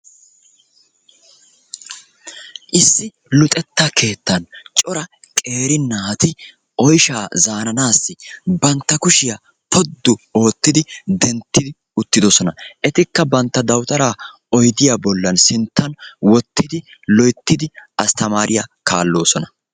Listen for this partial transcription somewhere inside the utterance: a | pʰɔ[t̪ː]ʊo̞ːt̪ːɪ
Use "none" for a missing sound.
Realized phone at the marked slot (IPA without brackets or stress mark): d̪ː